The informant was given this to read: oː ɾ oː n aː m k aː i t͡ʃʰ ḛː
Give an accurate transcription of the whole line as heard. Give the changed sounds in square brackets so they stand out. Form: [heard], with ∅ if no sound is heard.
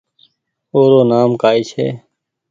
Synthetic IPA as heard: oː ɾ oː n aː m k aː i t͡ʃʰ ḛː

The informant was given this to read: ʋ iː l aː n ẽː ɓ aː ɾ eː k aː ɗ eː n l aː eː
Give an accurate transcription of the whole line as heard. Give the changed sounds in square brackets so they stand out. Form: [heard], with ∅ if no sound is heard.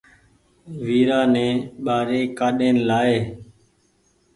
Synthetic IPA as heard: ʋ iː [ɾ] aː n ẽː ɓ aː ɾ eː k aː ɗ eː n l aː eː

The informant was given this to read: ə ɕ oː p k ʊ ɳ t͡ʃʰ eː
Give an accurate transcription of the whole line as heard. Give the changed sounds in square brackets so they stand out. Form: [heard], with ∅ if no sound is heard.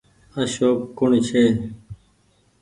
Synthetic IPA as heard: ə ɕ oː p k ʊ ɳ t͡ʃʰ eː

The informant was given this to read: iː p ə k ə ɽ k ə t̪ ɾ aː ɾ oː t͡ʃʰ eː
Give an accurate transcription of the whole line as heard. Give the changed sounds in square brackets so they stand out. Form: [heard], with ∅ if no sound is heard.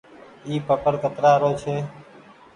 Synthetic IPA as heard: iː p ə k ə [ɾ] k ə t̪ ɾ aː ɾ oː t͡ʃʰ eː

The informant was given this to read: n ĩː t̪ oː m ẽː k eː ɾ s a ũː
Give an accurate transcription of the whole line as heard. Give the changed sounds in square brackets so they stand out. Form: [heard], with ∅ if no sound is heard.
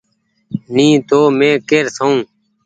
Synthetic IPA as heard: n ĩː t̪ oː m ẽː k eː ɾ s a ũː

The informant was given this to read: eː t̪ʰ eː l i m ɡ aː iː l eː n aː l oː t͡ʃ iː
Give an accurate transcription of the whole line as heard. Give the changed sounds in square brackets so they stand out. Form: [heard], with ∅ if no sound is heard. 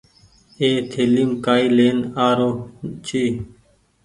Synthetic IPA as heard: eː t̪ʰ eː l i m [k] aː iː l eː n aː [ɾ] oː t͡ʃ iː

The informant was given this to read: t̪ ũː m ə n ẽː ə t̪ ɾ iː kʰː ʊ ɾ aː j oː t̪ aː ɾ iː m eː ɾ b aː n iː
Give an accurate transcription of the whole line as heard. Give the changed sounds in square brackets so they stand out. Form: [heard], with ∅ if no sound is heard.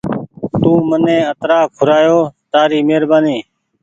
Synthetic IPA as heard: t̪ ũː m ə n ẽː ə t̪ ɾ [aː] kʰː ʊ ɾ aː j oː t̪ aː ɾ iː m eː ɾ b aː n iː

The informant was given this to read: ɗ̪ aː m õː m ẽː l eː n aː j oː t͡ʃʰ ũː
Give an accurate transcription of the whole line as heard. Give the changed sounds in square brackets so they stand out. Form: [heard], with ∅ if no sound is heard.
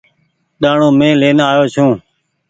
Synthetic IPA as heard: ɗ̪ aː [ɳ] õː m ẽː l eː n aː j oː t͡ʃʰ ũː

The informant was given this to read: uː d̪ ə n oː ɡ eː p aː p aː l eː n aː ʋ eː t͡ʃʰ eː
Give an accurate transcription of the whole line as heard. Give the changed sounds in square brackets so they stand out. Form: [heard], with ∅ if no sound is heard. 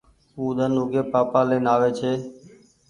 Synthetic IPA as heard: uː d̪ ə n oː ɡ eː p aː p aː l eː n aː ʋ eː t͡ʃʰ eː

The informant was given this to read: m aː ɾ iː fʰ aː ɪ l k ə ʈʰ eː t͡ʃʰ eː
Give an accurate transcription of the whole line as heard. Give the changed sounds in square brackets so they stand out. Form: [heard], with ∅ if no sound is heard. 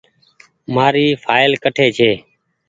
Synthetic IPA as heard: m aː ɾ iː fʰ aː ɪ l k ə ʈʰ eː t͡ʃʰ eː

